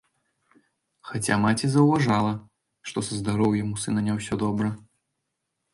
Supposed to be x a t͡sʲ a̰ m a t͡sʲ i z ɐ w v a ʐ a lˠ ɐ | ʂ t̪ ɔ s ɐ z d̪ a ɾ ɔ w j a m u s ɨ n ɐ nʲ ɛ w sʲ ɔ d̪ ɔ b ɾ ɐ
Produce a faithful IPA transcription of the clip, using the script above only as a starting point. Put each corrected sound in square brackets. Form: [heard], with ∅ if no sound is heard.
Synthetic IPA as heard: x a t͡sʲ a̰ m a t͡sʲ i z ɐ w v a ʐ a lˠ ɐ | ʂ t̪ ɔ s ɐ z d̪ a ɾ ɔ w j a m u s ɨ n ɐ nʲ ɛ w sʲ ɔ d̪ ɔ b ɾ ɐ